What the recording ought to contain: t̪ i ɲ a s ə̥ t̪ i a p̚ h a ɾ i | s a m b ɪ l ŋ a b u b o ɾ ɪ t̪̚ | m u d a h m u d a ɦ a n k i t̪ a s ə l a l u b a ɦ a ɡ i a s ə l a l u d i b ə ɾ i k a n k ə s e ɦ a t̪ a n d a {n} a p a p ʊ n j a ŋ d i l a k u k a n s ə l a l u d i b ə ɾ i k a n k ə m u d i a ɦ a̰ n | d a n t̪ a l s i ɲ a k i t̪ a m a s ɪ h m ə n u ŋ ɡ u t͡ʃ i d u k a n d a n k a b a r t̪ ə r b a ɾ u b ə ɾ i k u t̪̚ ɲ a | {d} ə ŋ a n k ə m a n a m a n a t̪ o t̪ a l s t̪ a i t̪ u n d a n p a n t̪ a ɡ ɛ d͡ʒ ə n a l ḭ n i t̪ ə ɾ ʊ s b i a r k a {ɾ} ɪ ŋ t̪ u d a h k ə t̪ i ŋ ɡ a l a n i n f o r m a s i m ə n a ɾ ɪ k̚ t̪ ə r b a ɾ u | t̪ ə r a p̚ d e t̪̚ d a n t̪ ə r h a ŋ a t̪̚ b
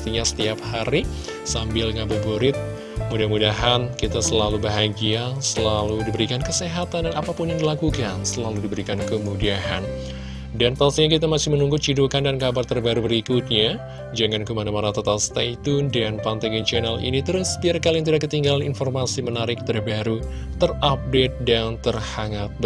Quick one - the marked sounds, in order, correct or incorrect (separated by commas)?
correct, incorrect, incorrect